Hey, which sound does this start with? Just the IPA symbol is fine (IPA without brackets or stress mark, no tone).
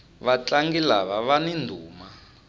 β